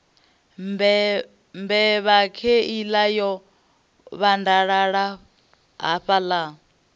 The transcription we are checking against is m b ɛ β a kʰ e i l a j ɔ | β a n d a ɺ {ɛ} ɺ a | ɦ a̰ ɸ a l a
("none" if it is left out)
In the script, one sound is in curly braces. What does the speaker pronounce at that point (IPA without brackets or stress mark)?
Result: a